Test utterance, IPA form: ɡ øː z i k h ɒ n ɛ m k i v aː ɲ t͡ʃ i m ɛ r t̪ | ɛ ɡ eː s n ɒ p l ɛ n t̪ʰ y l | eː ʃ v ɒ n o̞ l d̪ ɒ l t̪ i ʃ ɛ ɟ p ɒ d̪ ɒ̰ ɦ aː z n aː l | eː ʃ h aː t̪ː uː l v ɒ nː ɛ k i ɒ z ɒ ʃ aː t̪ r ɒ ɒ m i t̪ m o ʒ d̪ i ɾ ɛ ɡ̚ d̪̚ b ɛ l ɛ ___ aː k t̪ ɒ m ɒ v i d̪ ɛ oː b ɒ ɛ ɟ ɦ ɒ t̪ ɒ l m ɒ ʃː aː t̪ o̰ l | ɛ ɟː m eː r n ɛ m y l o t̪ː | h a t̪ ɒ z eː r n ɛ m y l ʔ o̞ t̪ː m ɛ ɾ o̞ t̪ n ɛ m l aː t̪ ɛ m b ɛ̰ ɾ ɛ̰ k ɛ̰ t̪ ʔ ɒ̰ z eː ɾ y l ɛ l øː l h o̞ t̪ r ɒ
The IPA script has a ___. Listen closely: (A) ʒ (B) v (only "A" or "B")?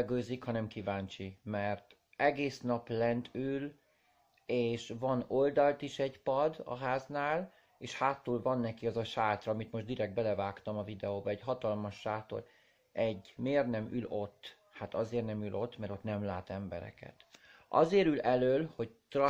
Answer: B